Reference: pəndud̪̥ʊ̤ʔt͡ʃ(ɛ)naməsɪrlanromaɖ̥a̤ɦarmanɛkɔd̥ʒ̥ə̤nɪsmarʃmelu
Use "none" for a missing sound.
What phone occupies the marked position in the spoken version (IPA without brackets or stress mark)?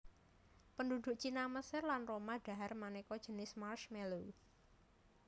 i